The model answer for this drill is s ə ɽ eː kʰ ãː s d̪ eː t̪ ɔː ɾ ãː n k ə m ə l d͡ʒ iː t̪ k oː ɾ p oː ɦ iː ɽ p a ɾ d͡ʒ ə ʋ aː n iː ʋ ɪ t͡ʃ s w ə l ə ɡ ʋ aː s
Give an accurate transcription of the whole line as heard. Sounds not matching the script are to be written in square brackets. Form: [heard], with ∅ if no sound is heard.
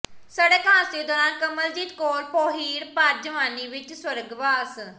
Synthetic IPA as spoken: s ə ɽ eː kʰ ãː s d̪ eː [d̪] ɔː ɾ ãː n k ə m ə l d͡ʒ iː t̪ k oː ɾ p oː ɦ iː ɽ p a ɾ d͡ʒ ə ʋ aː n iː ʋ ɪ t͡ʃ s w ə [ɾ] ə ɡ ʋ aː s